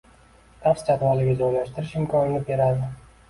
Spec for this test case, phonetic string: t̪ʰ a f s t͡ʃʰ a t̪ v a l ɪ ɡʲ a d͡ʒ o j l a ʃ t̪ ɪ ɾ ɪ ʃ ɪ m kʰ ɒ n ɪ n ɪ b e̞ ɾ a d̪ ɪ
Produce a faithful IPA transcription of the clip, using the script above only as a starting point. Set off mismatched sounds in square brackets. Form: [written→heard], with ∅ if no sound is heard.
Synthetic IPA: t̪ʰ a f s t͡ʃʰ a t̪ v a l ɪ ɡʲ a d͡ʒ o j l a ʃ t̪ ɪ ɾ ɪ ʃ ɪ m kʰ ɒ n ɪ n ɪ b e̞ ɾ a d̪ ɪ